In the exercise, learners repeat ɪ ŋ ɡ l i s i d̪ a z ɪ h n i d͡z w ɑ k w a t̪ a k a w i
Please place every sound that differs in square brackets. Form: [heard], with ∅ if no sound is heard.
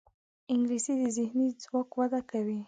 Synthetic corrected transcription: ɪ ŋ ɡ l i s i d̪ [ə] z ɪ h n i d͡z w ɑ k w a [d̪] a k a w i